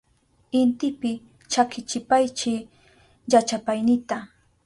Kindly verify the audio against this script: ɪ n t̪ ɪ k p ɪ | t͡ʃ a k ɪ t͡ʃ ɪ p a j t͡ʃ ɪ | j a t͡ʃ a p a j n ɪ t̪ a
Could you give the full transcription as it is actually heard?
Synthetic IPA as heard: ɪ n t̪ ɪ p ɪ | t͡ʃ a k ɪ t͡ʃ ɪ p a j t͡ʃ ɪ | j a t͡ʃ a p a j n ɪ t̪ a